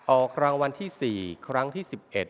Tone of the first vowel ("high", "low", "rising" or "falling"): low